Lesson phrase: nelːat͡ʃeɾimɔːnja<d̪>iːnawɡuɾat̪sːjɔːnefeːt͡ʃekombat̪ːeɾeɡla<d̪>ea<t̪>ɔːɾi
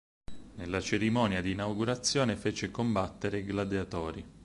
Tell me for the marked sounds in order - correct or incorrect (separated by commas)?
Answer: correct, correct, correct